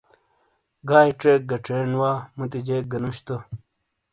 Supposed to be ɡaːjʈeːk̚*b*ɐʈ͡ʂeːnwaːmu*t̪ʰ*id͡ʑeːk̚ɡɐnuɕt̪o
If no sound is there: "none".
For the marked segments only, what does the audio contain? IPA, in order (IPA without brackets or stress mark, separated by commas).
ɡ, t̪